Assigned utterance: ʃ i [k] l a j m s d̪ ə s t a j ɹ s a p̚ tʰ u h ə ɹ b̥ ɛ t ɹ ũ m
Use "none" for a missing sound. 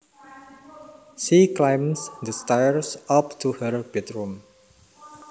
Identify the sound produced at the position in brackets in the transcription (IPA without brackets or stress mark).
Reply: k